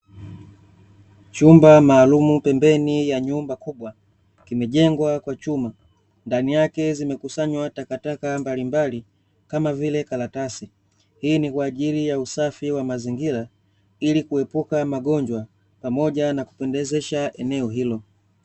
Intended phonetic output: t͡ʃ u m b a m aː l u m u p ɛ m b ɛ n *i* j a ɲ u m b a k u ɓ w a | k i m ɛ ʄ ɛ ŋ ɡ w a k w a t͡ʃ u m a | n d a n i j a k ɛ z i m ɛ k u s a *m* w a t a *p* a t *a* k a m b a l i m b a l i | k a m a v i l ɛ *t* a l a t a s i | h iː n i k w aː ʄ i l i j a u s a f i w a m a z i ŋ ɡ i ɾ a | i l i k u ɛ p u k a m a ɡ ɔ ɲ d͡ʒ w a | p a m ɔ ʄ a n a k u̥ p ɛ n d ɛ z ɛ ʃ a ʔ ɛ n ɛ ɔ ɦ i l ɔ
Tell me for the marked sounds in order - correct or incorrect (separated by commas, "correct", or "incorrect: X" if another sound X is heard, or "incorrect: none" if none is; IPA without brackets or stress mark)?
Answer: correct, incorrect: ɲ, incorrect: k, correct, incorrect: k